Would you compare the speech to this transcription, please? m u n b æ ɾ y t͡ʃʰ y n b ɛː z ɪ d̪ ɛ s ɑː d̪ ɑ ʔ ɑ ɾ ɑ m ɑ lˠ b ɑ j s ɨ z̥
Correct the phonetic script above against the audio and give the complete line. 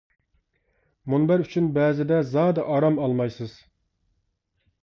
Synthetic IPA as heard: m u n b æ ɾ y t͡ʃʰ y n b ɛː z ɪ d̪ ɛ z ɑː d̪ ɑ ʔ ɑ ɾ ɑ m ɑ lˠ m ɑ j s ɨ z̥